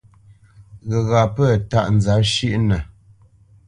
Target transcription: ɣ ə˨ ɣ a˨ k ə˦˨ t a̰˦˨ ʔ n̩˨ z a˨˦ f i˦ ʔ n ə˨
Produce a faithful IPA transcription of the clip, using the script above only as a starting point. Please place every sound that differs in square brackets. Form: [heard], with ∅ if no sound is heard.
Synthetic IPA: ɣ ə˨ ɣ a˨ [p] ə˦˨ t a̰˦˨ ʔ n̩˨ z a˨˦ [ʃ] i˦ ʔ n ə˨